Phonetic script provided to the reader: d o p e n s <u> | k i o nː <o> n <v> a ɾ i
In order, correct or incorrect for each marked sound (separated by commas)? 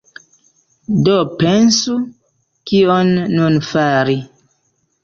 correct, incorrect, incorrect